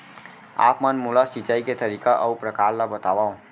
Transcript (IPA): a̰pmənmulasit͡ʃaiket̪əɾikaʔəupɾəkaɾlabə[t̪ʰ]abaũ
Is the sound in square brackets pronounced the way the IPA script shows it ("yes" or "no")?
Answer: no